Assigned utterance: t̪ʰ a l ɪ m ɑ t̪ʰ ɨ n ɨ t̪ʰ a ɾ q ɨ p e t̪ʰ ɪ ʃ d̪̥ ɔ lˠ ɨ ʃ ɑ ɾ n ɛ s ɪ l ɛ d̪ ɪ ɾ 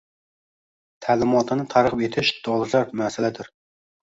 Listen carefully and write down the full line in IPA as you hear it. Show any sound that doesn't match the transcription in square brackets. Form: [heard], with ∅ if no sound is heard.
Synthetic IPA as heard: t̪ʰ [æ] l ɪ m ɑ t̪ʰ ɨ n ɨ t̪ʰ [ɑ] ɾ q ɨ p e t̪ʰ ɪ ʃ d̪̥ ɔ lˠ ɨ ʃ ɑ ɾ [m] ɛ s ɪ l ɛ d̪ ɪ ɾ